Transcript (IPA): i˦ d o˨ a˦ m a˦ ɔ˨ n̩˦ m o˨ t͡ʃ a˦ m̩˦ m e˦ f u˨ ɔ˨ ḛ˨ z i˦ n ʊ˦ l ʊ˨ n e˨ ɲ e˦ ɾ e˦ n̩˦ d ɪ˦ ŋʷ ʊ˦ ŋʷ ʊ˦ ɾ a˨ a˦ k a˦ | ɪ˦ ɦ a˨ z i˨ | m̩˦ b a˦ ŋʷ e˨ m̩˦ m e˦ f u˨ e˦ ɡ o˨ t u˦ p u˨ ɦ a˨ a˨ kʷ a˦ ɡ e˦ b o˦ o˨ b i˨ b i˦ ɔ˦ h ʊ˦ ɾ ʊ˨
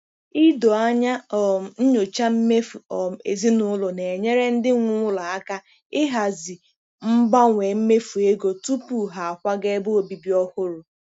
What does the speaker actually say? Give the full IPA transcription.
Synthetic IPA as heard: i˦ d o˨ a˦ ɲ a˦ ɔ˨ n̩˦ ɲ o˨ t͡ʃ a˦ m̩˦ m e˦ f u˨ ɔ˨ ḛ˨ z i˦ n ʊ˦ l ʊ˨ n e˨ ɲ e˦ ɾ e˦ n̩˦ d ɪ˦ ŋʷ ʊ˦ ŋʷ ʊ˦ l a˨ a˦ k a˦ | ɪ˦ ɦ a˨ z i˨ | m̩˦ b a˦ ŋʷ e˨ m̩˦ m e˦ f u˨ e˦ ɡ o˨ t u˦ p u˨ ɦ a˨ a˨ kʷ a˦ ɡ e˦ b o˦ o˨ b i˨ b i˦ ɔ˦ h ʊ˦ ɾ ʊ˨

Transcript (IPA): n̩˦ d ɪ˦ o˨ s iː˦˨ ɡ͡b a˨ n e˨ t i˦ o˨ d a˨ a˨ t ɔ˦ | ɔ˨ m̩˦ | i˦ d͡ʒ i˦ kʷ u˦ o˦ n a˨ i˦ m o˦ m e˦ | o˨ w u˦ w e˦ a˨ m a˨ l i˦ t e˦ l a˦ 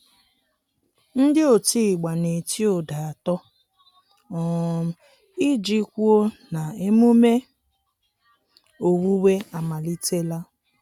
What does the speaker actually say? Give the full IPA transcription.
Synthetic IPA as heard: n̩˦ d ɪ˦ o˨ t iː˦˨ ɡ͡b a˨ n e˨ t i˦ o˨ d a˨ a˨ t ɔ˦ | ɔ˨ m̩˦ | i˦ d͡ʒ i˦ kʷ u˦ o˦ n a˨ e˦ m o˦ m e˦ | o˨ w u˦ w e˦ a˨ m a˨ l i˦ t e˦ l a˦

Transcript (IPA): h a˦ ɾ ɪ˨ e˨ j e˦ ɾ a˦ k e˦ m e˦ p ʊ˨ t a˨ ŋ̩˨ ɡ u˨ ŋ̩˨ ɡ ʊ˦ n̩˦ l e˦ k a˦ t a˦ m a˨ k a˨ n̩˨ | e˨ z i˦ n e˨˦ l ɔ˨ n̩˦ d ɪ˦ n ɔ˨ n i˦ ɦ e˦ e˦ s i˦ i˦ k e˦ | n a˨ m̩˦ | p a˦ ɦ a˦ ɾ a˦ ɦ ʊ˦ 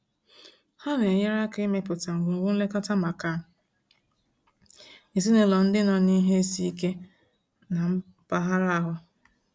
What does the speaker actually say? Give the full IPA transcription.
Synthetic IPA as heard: h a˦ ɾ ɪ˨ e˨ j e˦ ɾ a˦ k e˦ m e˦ p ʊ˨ t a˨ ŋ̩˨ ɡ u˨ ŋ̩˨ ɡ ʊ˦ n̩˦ l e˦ k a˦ t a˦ m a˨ k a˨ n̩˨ | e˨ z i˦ n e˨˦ l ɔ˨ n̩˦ d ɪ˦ n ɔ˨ n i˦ ɦ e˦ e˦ s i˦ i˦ k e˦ | n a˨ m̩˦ | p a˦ ɦ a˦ ɾ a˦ ɦ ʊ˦

